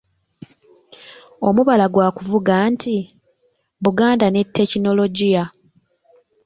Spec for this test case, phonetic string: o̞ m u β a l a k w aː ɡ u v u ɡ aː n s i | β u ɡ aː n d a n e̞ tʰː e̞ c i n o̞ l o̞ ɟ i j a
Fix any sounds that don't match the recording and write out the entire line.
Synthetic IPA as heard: o̞ m u β a l a ɡ w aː k u v u ɡ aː n t i | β u ɡ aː n d a n e̞ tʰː e̞ c i n o̞ l o̞ ɟ i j a